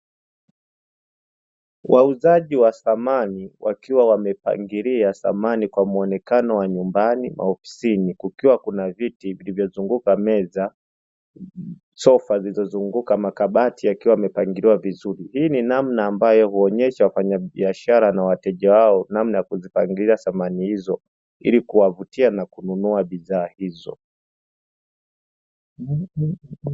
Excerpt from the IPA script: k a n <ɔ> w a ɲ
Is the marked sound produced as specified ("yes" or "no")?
yes